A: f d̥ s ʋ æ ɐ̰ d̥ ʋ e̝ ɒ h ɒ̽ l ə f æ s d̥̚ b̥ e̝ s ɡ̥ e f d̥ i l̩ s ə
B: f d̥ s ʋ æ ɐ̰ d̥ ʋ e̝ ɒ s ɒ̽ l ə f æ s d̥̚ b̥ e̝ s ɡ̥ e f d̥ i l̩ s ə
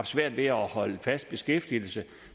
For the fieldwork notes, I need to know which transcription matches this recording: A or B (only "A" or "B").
A